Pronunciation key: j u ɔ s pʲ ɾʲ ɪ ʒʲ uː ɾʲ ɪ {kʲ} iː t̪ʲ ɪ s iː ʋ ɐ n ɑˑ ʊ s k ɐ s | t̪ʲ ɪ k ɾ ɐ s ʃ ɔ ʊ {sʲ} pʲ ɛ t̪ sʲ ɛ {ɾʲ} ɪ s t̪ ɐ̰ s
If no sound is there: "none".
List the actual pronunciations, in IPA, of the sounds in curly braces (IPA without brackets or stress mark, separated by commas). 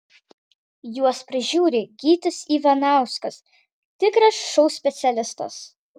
ɡʲ, sʲ, lʲ